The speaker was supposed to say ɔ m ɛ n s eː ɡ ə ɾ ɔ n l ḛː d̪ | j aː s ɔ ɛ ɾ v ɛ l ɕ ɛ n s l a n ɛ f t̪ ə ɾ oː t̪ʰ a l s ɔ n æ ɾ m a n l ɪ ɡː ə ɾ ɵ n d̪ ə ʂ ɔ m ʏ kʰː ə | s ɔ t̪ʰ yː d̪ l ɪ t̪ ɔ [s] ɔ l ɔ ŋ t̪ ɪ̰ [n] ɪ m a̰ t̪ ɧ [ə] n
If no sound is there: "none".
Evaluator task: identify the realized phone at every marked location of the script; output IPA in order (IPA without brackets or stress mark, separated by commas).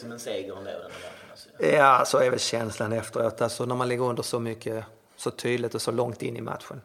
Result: s, nː, ə